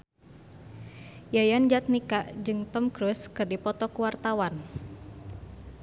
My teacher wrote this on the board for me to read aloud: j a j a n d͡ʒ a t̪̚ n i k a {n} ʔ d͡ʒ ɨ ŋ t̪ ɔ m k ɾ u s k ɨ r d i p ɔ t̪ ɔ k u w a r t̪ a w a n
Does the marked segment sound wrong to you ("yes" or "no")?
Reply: yes